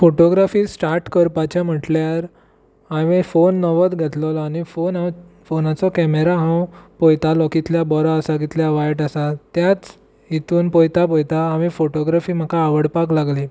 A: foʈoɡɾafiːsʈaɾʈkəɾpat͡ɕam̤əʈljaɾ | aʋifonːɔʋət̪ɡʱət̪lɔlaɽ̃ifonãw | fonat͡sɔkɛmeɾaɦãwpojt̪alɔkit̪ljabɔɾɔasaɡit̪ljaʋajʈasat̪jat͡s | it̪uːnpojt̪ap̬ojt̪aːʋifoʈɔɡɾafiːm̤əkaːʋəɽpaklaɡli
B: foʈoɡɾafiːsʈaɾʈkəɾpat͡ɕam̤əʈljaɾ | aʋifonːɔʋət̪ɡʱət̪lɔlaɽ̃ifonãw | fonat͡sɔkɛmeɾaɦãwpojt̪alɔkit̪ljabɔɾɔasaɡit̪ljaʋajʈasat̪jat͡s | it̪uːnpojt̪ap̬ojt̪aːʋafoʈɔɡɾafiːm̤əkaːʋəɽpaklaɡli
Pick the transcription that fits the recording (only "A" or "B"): A